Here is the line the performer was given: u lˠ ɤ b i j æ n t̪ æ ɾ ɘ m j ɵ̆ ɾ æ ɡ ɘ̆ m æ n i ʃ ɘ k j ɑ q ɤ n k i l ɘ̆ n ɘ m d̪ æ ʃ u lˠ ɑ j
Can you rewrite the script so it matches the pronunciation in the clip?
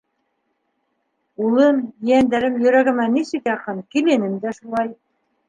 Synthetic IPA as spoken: u lˠ ɤ m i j æ n d̪ æ ɾ ɘ m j ɵ̆ ɾ æ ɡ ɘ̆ m æ n i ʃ ɘ k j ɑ q ɤ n k i l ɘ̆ n ɘ m d̪ æ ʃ u lˠ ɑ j